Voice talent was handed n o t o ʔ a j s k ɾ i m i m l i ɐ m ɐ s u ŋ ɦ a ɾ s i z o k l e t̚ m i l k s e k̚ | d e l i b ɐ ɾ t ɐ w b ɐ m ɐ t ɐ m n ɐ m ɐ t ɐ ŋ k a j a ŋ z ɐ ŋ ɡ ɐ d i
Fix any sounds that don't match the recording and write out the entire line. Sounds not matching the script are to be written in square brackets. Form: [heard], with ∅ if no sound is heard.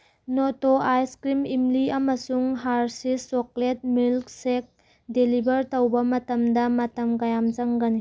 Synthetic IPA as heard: n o t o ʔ a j s k ɾ i m i m l i ɐ m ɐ s u ŋ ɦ a ɾ s i [s] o k l e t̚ m i l k s e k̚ | d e l i b ɐ ɾ t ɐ w b ɐ m ɐ t ɐ m [d] ɐ m ɐ t ɐ [m] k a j a [m] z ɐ ŋ ɡ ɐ [n] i

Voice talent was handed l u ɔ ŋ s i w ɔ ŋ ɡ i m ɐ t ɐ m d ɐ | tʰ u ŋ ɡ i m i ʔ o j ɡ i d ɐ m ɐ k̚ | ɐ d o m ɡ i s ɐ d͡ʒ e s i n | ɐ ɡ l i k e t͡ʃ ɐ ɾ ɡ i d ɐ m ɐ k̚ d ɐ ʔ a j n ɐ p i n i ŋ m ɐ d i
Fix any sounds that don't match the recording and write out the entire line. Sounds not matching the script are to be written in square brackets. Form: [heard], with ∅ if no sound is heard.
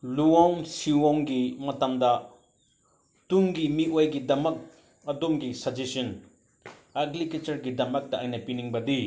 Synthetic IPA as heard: l u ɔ ŋ s i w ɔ ŋ ɡ i m ɐ t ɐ m d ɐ | [t] u ŋ ɡ i m i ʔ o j ɡ i d ɐ m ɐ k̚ | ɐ d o m ɡ i s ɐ d͡ʒ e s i n | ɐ ɡ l i k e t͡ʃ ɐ ɾ ɡ i d ɐ m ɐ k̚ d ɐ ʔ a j n ɐ p i n i ŋ [b] ɐ d i

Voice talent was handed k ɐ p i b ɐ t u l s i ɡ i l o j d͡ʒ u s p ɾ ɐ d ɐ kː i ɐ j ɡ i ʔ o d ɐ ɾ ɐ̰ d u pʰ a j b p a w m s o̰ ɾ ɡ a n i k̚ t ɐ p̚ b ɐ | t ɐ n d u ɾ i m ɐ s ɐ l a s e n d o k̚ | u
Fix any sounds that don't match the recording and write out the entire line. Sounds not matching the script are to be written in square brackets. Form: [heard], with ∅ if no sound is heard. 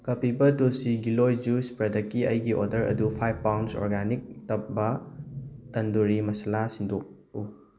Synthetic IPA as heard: k ɐ p i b ɐ t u l s i ɡ i l o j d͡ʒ u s p ɾ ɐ d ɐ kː i ɐ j ɡ i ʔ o d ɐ ɾ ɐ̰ d u pʰ a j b p a w [n] s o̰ ɾ ɡ a n i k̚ t ɐ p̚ b ɐ | t ɐ n d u ɾ i m ɐ s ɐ l a s [i] n d o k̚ | u

